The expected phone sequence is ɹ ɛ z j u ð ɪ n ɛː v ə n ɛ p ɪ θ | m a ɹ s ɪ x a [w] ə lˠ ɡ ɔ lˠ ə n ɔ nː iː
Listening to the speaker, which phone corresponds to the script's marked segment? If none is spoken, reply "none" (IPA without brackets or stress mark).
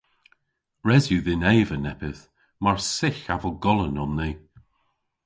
v